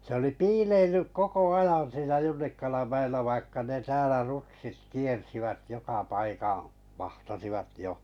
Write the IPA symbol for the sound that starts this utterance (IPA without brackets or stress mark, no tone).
s